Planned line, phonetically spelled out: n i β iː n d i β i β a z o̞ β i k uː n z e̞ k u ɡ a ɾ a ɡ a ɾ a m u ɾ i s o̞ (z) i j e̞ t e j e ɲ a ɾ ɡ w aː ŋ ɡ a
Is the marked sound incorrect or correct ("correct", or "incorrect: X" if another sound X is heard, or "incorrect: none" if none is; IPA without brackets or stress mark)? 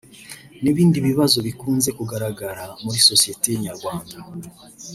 incorrect: s